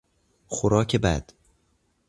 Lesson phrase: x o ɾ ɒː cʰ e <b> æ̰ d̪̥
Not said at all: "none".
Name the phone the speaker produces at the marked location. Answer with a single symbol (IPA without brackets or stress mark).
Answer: b